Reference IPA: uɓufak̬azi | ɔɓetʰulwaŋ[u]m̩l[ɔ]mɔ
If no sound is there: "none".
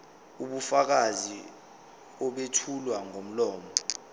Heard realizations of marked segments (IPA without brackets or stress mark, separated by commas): o, ɔː